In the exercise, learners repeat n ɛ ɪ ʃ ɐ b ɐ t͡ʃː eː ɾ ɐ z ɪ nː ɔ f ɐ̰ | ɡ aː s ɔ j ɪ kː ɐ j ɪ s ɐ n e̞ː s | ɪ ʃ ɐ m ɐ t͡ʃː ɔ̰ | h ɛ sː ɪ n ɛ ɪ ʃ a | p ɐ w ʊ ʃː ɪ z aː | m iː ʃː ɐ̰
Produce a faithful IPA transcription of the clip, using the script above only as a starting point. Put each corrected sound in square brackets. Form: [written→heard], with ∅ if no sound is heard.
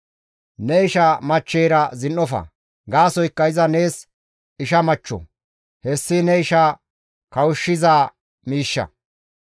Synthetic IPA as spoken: n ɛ ɪ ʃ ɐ [b→m] ɐ t͡ʃː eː ɾ ɐ z ɪ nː ɔ f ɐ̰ | ɡ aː s ɔ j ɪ kː ɐ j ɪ [s→z] ɐ n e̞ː s | ɪ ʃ ɐ m ɐ t͡ʃː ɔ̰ | h ɛ sː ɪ n ɛ ɪ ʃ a | [p→k] ɐ w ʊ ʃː ɪ z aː | m iː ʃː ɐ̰

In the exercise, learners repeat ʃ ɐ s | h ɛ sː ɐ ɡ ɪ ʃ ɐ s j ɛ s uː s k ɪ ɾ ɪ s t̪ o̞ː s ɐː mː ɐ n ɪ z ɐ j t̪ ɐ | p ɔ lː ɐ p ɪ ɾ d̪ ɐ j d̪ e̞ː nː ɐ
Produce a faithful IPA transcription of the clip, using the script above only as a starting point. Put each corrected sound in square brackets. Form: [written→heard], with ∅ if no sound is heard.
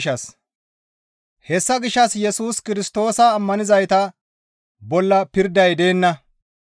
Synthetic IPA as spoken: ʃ ɐ s | h ɛ sː ɐ ɡ ɪ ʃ ɐ s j ɛ s uː s k ɪ ɾ ɪ s t̪ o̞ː s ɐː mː ɐ n ɪ z ɐ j t̪ ɐ | [p→b] ɔ lː ɐ p ɪ ɾ d̪ ɐ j d̪ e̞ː nː ɐ

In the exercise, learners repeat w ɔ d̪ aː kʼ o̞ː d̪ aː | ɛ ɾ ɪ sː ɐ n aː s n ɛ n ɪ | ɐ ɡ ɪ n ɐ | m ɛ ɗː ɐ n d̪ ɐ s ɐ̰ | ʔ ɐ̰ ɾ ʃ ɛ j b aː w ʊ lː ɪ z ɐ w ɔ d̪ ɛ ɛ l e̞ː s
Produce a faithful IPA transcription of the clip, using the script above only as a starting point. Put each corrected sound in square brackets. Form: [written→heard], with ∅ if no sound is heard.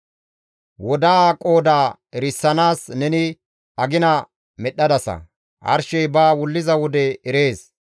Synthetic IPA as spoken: w ɔ d̪ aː kʼ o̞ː d̪ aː | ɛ ɾ ɪ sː ɐ n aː s n ɛ n ɪ | ɐ ɡ ɪ n ɐ | m ɛ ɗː ɐ [n→∅] d̪ ɐ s ɐ̰ | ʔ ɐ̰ ɾ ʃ ɛ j b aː w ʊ lː ɪ z ɐ w ɔ d̪ ɛ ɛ [l→ɾ] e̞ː s

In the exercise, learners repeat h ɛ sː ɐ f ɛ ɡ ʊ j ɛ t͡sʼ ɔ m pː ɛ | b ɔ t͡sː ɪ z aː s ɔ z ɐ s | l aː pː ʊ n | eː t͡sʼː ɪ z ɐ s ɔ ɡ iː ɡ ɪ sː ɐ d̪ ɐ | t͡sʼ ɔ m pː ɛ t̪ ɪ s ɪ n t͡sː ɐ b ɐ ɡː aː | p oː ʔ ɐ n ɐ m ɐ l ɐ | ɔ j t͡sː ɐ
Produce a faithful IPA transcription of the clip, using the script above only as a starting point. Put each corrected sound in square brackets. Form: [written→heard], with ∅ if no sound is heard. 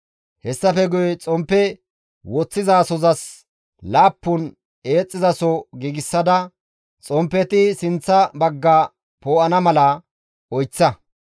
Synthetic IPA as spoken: h ɛ sː ɐ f ɛ ɡ ʊ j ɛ t͡sʼ ɔ m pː ɛ | [b→w] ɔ t͡sː ɪ z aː s ɔ z ɐ s | l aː pː ʊ n | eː t͡sʼː ɪ z ɐ s ɔ ɡ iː ɡ ɪ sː ɐ d̪ ɐ | t͡sʼ ɔ m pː ɛ t̪ ɪ s ɪ n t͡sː ɐ b ɐ ɡː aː | p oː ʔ ɐ n ɐ m ɐ l ɐ | ɔ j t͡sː ɐ

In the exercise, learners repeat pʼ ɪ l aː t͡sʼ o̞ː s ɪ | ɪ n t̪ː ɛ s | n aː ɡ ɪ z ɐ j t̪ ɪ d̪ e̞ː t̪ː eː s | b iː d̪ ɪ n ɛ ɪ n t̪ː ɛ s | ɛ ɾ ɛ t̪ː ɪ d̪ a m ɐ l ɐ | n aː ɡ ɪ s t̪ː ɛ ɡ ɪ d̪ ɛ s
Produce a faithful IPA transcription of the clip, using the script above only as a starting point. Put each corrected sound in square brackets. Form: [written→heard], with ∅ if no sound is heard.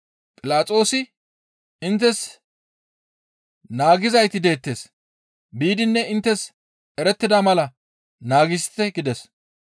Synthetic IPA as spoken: pʼ ɪ l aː t͡sʼ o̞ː s ɪ | ɪ n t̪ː ɛ s | n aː ɡ ɪ z ɐ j t̪ ɪ d̪ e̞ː t̪ː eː s | b iː d̪ ɪ [n→nː] ɛ ɪ n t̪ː ɛ s | ɛ ɾ ɛ t̪ː ɪ d̪ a m ɐ l ɐ | n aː ɡ ɪ s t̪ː ɛ ɡ ɪ d̪ ɛ s

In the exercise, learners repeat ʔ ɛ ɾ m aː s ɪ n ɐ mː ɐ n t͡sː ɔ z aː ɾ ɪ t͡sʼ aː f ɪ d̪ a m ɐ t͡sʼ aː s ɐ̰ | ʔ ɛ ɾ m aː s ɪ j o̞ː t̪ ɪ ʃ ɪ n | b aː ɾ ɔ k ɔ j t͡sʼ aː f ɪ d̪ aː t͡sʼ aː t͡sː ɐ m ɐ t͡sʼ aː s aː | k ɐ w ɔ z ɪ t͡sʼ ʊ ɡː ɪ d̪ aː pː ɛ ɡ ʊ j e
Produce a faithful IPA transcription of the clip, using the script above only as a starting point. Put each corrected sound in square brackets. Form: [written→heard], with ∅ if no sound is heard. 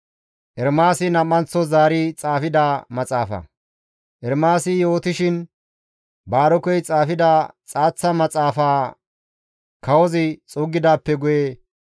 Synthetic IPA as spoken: ʔ ɛ ɾ m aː s ɪ n ɐ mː ɐ n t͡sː ɔ z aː ɾ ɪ t͡sʼ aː f ɪ d̪ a m ɐ t͡sʼ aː [s→f] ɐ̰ | ʔ ɛ ɾ m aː s ɪ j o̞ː t̪ ɪ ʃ ɪ n | b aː ɾ ɔ k ɔ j t͡sʼ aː f ɪ d̪ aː t͡sʼ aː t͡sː ɐ m ɐ t͡sʼ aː [s→f] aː | k ɐ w ɔ z ɪ t͡sʼ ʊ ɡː ɪ d̪ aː pː ɛ ɡ ʊ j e

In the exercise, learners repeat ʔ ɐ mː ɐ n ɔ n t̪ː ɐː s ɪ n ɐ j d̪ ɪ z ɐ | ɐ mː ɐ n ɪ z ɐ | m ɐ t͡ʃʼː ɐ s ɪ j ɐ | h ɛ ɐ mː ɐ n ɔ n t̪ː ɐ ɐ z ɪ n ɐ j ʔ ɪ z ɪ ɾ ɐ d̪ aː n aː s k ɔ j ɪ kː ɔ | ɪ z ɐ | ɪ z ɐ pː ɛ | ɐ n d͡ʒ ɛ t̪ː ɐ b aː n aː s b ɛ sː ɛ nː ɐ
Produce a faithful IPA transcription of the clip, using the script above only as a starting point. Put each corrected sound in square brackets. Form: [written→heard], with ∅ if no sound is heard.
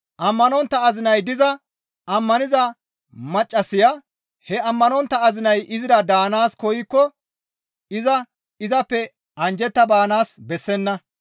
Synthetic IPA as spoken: ʔ ɐ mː ɐ n ɔ n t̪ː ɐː [s→z] ɪ n ɐ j d̪ ɪ z ɐ | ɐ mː ɐ n ɪ z ɐ | m ɐ t͡ʃʼː ɐ s ɪ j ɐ | h ɛ ɐ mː ɐ n ɔ n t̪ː ɐ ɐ z ɪ n ɐ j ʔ ɪ z ɪ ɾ ɐ d̪ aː n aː s k ɔ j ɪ kː ɔ | ɪ z ɐ | ɪ z ɐ pː ɛ | ɐ n d͡ʒ ɛ t̪ː ɐ b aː n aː s b ɛ sː ɛ nː ɐ

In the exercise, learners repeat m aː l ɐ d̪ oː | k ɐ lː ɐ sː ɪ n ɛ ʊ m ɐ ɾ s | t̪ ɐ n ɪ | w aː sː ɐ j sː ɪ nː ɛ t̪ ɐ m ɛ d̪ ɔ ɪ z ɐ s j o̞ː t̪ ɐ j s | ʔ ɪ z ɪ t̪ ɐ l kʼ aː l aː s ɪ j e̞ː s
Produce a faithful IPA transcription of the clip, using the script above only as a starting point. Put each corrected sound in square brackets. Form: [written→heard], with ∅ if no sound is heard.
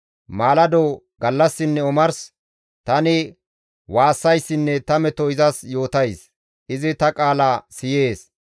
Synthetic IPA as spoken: m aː l ɐ d̪ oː | [k→ɡ] ɐ lː ɐ sː ɪ [n→nː] ɛ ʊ m ɐ ɾ s | t̪ ɐ n ɪ | w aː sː ɐ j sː ɪ nː ɛ t̪ ɐ m ɛ [d̪→t̪] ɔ ɪ z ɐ s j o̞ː t̪ ɐ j s | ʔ ɪ z ɪ t̪ ɐ [l→∅] kʼ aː l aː s ɪ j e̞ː s

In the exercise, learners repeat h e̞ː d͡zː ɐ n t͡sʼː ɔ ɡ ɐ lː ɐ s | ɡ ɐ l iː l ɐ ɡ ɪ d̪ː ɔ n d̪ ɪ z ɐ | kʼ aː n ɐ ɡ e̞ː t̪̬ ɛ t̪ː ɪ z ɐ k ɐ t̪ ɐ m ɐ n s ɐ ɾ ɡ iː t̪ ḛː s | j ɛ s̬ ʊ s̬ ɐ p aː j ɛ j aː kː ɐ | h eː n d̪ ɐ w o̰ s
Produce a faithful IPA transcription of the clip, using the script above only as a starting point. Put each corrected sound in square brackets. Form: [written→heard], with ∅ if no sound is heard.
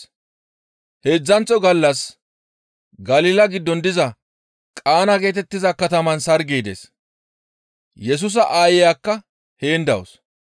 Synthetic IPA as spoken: h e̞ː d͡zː ɐ n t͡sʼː ɔ ɡ ɐ lː ɐ s | ɡ ɐ l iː l ɐ ɡ ɪ d̪ː ɔ n d̪ ɪ z ɐ | kʼ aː n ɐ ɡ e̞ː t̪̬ ɛ t̪ː ɪ z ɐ k ɐ t̪ ɐ m ɐ n s ɐ ɾ ɡ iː [t̪→d̪] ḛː s | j ɛ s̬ ʊ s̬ ɐ [p→ʔ] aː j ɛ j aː kː ɐ | h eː n d̪ ɐ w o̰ s

